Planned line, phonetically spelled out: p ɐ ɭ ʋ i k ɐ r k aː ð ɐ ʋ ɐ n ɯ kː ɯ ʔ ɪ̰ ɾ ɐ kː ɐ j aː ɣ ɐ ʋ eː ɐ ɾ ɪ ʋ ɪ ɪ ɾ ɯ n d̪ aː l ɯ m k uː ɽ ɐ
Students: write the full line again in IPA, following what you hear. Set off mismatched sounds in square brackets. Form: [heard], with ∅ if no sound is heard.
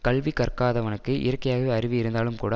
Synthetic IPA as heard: [k] ɐ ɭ ʋ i k ɐ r k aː ð ɐ ʋ ɐ n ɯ kː ɯ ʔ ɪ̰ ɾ ɐ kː ɐ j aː ɣ ɐ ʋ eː ɐ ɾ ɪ ʋ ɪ ɪ ɾ ɯ n d̪ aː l ɯ m k uː ɽ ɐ